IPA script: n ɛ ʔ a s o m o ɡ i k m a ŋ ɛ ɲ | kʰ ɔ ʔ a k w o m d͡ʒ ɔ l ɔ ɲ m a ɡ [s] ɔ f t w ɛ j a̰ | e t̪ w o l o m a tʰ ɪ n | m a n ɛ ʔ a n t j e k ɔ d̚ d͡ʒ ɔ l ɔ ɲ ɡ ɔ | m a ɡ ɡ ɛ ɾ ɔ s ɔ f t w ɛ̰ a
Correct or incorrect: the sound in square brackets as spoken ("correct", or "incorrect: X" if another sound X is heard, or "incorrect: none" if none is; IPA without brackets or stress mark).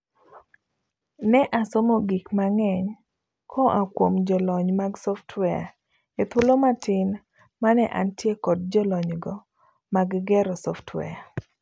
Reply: correct